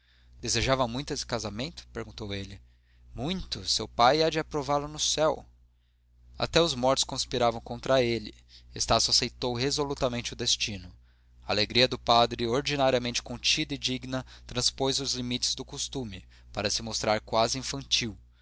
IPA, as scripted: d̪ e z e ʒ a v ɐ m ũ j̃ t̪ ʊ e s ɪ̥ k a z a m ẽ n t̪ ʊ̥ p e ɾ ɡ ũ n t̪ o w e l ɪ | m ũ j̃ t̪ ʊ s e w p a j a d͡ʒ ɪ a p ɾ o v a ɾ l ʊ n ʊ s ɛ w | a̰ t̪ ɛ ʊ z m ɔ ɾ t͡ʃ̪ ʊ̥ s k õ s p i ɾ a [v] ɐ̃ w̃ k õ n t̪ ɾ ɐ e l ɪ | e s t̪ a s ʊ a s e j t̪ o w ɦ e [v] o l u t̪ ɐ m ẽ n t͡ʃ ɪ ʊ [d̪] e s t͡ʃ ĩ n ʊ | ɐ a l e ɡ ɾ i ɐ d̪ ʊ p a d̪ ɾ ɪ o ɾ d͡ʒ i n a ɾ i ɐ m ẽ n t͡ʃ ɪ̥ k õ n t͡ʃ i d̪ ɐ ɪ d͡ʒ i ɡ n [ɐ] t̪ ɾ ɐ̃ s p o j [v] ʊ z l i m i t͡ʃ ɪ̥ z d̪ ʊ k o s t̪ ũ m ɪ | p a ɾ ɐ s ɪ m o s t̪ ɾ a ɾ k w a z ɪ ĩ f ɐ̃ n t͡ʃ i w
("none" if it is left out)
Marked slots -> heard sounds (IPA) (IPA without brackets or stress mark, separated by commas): v, z, d̪, ɐ, z